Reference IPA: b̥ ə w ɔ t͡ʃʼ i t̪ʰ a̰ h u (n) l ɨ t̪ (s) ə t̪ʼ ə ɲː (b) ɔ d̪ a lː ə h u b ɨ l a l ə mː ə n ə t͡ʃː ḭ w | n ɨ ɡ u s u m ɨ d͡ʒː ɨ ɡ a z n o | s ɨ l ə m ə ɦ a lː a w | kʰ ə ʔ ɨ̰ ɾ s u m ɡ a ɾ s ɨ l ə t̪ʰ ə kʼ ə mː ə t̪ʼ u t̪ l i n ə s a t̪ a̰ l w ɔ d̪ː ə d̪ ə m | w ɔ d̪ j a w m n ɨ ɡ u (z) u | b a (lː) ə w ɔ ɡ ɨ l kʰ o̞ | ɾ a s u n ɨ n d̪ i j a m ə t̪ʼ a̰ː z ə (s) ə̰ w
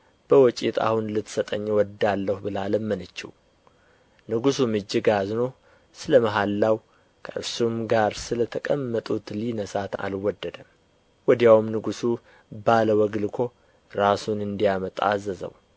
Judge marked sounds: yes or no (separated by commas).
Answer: yes, yes, no, no, no, no